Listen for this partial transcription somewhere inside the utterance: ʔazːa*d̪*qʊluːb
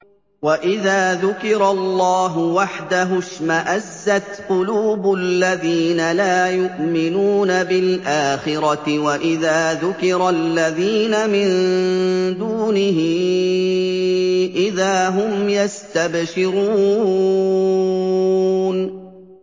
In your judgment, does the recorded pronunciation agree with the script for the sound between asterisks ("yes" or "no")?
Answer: no